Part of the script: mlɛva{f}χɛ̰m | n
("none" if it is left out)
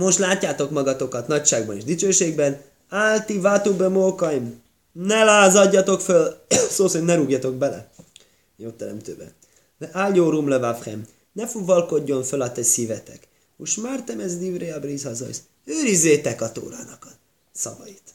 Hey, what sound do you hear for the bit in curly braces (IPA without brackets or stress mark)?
f